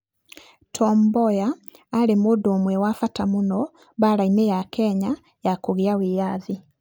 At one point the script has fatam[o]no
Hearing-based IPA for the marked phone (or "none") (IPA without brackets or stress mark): u